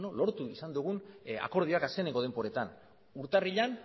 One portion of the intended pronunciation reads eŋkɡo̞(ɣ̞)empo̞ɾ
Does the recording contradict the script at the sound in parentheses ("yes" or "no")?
yes